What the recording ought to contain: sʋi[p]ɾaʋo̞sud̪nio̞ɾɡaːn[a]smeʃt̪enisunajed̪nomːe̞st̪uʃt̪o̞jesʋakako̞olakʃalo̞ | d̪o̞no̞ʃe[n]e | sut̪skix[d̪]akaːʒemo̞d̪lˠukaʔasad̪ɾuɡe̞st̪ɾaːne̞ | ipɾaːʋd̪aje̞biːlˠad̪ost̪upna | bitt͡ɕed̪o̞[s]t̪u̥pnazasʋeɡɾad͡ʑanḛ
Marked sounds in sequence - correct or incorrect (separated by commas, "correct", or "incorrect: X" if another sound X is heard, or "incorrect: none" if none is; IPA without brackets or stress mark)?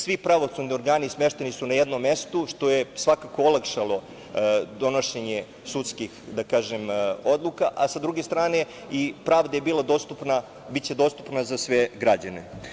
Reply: correct, incorrect: i, incorrect: ɲ, correct, correct